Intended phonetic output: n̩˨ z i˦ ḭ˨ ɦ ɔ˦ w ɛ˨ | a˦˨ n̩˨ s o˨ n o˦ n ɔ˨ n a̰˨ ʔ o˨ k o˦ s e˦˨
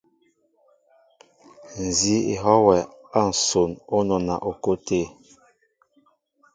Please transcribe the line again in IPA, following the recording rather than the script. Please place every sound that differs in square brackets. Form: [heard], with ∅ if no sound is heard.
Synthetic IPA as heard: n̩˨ z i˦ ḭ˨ ɦ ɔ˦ w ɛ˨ | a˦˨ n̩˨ s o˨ n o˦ n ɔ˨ n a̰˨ ʔ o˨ k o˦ [t] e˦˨